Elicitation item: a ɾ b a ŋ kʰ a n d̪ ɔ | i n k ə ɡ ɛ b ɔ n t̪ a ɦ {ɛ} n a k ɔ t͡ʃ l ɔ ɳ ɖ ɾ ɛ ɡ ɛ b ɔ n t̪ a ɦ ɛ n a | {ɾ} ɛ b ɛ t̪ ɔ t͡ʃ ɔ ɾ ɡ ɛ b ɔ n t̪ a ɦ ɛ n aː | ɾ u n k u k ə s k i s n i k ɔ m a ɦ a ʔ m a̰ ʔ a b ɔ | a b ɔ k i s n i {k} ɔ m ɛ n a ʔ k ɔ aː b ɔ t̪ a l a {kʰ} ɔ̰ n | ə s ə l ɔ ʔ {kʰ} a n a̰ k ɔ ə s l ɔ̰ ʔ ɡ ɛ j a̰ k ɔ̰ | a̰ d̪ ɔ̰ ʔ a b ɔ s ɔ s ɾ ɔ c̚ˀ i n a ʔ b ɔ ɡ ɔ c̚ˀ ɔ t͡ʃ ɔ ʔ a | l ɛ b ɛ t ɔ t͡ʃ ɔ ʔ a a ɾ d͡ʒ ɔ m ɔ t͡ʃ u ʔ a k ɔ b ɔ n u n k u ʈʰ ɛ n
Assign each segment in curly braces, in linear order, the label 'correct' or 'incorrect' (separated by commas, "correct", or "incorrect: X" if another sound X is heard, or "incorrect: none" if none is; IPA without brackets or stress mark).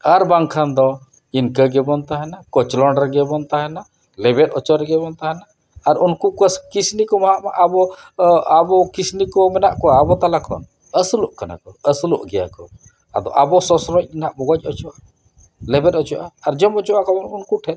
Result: correct, incorrect: l, correct, correct, incorrect: k